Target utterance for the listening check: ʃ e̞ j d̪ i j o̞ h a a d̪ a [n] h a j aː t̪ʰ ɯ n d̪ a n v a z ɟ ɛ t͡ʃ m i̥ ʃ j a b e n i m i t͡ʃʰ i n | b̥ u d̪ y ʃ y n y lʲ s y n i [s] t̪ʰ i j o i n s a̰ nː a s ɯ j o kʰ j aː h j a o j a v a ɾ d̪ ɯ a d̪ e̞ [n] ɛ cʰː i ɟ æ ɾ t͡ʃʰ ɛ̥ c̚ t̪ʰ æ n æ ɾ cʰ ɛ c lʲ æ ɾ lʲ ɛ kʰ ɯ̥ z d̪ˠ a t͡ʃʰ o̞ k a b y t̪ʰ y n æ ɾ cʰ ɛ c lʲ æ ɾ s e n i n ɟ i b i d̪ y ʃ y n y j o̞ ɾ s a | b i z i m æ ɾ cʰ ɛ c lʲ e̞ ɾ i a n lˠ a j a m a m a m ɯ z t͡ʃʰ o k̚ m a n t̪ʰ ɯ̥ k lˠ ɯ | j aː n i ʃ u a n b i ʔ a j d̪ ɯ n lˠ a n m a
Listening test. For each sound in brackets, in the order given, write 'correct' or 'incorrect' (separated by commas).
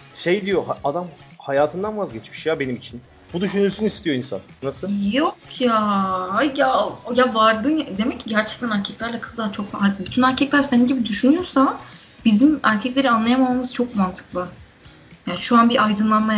incorrect, correct, incorrect